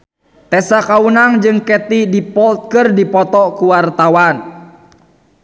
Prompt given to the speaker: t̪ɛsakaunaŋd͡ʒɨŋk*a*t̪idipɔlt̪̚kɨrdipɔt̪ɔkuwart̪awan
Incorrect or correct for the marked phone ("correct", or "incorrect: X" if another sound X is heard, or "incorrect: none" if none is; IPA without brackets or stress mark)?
incorrect: ɛ